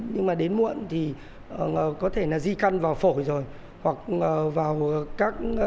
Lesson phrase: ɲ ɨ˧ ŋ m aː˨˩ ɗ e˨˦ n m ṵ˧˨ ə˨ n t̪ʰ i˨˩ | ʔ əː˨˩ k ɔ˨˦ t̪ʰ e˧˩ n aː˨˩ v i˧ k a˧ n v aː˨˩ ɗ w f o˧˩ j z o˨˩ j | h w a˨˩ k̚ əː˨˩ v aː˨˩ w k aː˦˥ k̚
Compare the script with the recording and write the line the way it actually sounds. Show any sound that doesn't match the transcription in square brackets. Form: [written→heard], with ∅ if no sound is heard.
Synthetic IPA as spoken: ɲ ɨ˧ ŋ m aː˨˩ ɗ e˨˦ n m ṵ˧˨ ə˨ n t̪ʰ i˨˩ | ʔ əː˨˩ k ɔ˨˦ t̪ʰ e˧˩ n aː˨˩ [v→z] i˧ k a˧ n v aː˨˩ [ɗ→∅] w f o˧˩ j z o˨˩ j | h w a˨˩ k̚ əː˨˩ v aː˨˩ w k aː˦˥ k̚

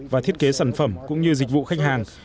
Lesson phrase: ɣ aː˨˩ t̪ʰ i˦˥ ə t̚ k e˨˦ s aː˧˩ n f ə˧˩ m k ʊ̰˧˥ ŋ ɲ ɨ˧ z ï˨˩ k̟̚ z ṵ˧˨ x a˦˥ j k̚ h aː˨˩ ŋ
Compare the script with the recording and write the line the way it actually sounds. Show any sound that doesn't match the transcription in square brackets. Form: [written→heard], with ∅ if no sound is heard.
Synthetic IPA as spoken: [ɣ→v] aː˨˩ t̪ʰ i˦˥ ə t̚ k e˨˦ s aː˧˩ n f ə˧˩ m k ʊ̰˧˥ [ŋ→ŋ͡m] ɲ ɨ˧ z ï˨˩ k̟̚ [z→v] ṵ˧˨ x a˦˥ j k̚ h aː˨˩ ŋ

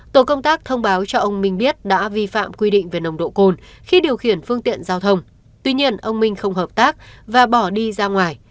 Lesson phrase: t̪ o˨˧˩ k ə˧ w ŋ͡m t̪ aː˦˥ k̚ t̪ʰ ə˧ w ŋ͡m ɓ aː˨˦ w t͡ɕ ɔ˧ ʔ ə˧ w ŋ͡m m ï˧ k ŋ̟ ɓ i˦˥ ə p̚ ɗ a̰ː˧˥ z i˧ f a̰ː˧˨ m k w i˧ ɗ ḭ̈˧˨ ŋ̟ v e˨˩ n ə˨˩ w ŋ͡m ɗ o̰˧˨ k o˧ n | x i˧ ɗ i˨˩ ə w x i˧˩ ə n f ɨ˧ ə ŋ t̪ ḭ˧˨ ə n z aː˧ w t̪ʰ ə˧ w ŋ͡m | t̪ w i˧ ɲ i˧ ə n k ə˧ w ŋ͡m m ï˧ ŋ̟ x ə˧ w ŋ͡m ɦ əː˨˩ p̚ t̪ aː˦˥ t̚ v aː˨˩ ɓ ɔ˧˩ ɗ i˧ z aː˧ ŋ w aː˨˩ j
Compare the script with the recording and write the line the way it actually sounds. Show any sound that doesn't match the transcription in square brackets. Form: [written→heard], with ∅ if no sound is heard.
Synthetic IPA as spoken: t̪ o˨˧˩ k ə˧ w ŋ͡m t̪ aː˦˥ k̚ t̪ʰ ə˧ w ŋ͡m ɓ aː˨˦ w t͡ɕ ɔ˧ ʔ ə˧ w ŋ͡m m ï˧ [k→∅] ŋ̟ ɓ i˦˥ ə [p̚→t̚] ɗ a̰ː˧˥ [z→v] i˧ f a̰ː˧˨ m k w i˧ ɗ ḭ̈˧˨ ŋ̟ v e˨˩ n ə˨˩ w ŋ͡m ɗ o̰˧˨ k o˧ n | x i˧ ɗ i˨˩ ə w x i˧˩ ə n f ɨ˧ ə ŋ t̪ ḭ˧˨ ə n z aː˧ w t̪ʰ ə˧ w ŋ͡m | t̪ w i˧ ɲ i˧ ə n [k→ʔ] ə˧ w ŋ͡m m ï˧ ŋ̟ x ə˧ w ŋ͡m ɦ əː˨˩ p̚ t̪ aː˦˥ [t̚→k̚] v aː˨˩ ɓ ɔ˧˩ ɗ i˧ z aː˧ ŋ w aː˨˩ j

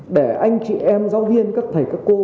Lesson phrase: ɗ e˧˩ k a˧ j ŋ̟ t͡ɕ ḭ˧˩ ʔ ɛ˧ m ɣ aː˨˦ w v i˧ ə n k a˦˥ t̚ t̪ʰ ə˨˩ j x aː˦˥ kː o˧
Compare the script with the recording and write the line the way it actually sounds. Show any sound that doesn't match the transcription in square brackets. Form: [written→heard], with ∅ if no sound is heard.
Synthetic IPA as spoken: ɗ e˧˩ [k→ʔ] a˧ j ŋ̟ t͡ɕ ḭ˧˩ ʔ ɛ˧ m [ɣ→z] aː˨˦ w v i˧ ə n k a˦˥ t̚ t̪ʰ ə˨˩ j [x→k] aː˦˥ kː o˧

